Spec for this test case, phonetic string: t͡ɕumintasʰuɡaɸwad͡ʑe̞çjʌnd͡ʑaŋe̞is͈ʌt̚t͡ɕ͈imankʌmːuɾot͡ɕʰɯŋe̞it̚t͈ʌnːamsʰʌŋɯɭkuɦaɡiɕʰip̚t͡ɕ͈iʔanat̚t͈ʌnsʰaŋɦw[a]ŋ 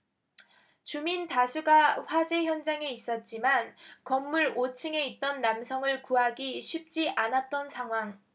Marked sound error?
no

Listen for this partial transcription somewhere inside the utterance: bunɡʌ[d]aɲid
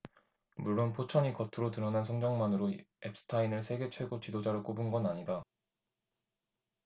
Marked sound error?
yes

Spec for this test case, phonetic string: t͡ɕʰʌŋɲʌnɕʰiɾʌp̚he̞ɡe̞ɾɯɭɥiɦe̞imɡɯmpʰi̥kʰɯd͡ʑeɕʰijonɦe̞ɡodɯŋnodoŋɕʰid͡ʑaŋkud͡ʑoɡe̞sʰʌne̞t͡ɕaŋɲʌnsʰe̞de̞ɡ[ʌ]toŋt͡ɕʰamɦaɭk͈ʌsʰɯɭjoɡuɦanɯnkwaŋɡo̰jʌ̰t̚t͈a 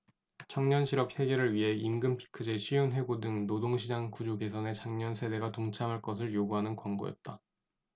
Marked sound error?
yes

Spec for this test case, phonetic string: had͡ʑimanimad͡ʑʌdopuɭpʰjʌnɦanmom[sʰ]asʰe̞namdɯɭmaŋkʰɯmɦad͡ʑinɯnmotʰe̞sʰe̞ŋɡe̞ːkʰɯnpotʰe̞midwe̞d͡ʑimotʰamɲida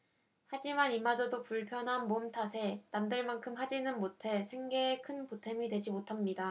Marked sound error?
yes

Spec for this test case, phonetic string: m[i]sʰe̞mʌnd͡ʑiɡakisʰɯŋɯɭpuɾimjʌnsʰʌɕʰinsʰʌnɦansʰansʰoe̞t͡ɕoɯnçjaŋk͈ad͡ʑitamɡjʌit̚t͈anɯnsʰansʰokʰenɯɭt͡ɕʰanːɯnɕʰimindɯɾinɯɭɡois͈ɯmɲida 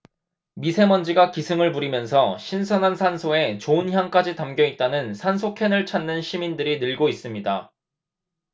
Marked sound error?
no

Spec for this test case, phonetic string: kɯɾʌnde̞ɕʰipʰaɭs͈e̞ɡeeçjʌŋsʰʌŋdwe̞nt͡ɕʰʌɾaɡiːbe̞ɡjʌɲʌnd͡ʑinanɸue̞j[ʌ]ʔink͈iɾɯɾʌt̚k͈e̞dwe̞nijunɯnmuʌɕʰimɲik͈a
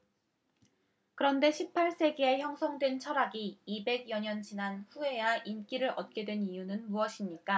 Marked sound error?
yes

